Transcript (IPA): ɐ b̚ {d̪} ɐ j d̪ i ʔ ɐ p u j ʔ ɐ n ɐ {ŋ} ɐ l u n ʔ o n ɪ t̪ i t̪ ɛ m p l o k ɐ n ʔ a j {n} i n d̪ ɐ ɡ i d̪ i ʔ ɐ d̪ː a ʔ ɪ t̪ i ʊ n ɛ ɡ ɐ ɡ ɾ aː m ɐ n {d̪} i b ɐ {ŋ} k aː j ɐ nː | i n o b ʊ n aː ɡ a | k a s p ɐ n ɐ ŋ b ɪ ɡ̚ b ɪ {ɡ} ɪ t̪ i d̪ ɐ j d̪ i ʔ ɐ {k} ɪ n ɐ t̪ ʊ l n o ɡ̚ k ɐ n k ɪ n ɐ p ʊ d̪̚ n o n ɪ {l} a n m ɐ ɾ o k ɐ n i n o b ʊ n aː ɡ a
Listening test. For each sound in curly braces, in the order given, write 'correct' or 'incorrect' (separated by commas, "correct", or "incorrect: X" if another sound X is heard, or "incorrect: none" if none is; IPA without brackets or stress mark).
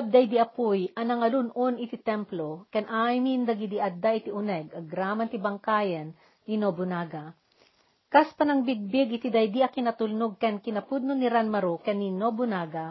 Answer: correct, correct, incorrect: m, incorrect: t̪, correct, correct, correct, incorrect: ɾ